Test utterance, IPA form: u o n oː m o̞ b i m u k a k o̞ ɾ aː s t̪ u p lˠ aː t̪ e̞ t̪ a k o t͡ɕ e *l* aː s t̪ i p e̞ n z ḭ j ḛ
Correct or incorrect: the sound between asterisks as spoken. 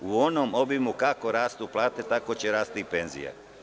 incorrect: ɾ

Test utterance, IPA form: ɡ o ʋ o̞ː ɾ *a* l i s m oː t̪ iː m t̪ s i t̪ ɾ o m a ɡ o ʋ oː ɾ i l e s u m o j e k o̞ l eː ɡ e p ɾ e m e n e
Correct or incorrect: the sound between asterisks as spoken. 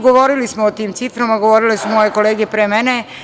incorrect: i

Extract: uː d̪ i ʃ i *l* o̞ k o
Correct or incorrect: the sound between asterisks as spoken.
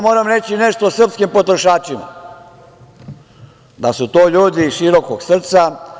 incorrect: ɾ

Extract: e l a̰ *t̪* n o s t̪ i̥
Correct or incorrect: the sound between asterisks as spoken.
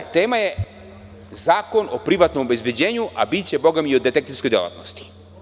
correct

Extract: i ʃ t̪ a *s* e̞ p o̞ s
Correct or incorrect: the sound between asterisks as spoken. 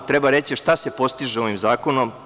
correct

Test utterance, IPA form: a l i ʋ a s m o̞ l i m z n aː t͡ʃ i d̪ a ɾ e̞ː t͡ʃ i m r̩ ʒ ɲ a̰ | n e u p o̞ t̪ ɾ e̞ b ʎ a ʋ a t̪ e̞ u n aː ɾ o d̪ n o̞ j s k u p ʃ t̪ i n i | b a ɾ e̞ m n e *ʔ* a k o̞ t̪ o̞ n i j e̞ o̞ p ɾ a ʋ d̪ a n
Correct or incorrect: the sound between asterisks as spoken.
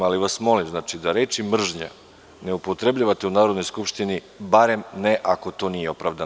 correct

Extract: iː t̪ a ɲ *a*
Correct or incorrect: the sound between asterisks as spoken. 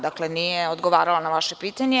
incorrect: e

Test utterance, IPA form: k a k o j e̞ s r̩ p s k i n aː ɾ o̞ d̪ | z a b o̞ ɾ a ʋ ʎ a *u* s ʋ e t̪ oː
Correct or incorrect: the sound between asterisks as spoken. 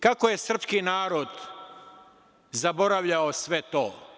incorrect: o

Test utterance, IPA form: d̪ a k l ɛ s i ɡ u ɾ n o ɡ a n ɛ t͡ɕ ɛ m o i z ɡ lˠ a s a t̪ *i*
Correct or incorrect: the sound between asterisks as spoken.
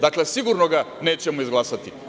correct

